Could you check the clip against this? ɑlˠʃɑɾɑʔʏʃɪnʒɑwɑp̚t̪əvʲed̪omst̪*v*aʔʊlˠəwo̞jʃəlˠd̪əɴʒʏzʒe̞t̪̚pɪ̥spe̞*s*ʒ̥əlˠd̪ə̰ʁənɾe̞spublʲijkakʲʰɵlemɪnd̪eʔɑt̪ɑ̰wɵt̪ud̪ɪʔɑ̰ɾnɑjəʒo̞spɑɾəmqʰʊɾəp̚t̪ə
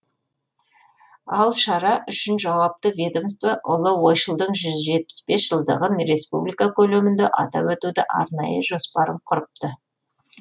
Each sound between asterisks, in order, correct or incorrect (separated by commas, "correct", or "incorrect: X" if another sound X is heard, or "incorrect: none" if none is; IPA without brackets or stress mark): correct, correct